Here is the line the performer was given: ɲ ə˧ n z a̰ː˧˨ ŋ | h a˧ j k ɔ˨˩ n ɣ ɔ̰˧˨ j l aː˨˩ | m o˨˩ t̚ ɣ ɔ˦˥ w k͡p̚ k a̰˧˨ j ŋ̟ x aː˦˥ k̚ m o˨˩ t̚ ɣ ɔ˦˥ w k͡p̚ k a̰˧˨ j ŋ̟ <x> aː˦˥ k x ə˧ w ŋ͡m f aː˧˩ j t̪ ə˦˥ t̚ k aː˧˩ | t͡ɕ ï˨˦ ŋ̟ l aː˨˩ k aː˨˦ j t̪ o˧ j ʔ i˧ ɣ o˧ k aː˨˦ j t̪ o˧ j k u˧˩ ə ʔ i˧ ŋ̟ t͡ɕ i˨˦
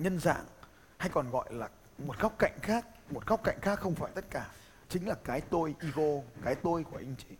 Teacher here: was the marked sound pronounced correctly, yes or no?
yes